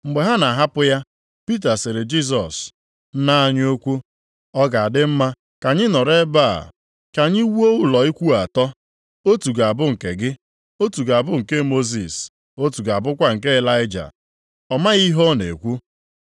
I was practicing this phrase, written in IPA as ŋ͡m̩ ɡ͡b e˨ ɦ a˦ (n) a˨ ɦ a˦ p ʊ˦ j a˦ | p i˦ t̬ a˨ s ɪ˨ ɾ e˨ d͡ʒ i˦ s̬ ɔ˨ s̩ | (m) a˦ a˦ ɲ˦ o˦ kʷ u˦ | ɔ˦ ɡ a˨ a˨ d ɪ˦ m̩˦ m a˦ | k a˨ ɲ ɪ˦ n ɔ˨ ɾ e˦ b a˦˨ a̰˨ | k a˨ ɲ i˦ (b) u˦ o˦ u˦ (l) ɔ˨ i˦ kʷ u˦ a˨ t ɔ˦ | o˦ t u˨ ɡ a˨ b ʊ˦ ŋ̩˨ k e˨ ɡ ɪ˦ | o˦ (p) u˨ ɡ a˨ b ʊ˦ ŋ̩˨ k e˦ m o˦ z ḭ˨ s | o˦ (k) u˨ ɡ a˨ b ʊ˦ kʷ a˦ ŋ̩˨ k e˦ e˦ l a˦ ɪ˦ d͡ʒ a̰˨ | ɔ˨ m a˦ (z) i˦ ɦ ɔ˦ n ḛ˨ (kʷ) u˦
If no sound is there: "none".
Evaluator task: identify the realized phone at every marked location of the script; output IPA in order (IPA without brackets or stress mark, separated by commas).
n, n, w, l, t, t, ɣ, kʷ